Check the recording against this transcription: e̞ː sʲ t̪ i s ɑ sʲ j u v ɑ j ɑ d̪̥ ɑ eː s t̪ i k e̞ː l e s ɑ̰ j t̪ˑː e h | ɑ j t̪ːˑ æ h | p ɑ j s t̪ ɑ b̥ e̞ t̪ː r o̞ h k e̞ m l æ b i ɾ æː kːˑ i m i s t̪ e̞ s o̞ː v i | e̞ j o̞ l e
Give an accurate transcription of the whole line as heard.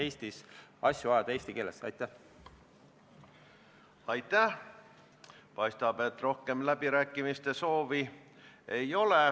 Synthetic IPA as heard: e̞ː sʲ t̪ i s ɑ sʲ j u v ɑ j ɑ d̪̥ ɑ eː s t̪ i k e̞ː l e s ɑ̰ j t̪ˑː æ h | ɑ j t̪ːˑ æ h | p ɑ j s t̪ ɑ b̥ e̞ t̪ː r o̞ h k e̞ m l æ b i ɾ æː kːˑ i m i s t̪ e̞ s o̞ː v i | e̞ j o̞ l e